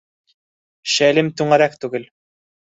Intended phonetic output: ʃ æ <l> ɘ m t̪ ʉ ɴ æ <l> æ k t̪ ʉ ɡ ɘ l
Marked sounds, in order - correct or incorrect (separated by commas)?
correct, incorrect